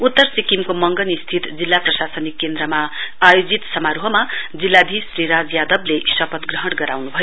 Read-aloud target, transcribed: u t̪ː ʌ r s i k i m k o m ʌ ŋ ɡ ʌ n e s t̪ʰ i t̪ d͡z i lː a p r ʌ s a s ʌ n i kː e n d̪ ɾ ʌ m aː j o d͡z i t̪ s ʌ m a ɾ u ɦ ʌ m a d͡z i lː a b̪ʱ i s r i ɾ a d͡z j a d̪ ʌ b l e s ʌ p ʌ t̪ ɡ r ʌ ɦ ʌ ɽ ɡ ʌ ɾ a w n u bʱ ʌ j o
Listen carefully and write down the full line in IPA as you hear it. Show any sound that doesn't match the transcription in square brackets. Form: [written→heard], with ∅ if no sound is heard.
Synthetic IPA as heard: u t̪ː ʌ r s i k i m k o m ʌ ŋ ɡ ʌ n [e→i] s t̪ʰ i t̪ d͡z i lː a p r ʌ s a s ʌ n i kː e n d̪ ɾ ʌ m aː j o d͡z i t̪ s ʌ m a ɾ u ɦ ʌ m a d͡z i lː a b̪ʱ i s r i ɾ a d͡z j a d̪ ʌ b l e s ʌ p ʌ t̪ ɡ r ʌ ɦ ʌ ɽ ɡ ʌ ɾ a w n u bʱ ʌ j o